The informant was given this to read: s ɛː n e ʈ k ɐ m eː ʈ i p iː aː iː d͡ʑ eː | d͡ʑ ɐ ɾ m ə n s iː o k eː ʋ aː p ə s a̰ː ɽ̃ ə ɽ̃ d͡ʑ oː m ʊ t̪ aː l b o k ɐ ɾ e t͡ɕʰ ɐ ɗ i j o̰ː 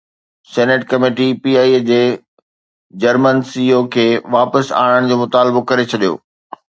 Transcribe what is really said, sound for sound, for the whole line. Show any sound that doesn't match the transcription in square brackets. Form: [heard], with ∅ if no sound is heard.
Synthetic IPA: s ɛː n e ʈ k ɐ m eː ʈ i p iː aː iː d͡ʑ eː | d͡ʑ ɐ ɾ m ə n s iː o [kʰ] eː ʋ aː p ə s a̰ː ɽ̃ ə ɽ̃ d͡ʑ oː m ʊ t̪ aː l b o k ɐ ɾ e t͡ɕʰ ɐ ɗ i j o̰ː